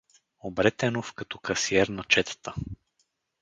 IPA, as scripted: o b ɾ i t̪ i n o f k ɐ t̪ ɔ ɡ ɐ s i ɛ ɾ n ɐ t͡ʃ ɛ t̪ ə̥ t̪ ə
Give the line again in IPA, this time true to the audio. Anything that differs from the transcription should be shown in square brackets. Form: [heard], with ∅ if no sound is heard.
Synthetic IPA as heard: o b ɾ [ɛ] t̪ [ɛ] n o f k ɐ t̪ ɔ [k] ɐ s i ɛ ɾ n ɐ t͡ʃ ɛ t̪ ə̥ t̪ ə